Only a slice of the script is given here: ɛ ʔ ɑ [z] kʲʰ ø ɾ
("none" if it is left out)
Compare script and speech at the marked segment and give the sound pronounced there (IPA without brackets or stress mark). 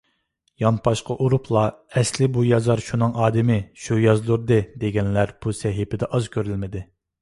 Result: z